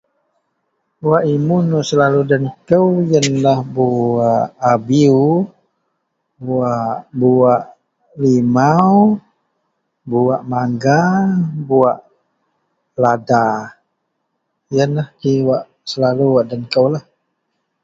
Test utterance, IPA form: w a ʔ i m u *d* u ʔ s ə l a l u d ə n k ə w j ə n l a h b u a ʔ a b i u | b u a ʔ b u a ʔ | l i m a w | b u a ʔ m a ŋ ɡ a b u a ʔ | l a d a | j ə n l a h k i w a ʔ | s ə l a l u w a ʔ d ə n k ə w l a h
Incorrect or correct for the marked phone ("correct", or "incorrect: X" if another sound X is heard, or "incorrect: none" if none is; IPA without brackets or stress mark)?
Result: incorrect: n